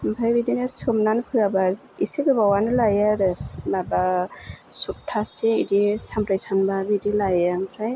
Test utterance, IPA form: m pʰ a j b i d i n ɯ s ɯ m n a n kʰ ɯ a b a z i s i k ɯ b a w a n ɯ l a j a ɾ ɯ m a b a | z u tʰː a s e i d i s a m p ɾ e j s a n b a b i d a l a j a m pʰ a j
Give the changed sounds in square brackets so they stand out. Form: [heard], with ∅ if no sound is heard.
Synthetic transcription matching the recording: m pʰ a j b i d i n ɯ s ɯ m n a n [pʰ] ɯ a b a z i s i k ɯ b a w a n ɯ l a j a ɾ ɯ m a b a | [s] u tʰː a s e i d i s a m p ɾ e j s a n b a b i d [i] l a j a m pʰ a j